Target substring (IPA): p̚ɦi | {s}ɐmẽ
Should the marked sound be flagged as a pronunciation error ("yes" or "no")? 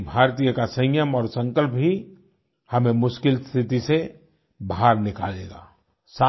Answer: yes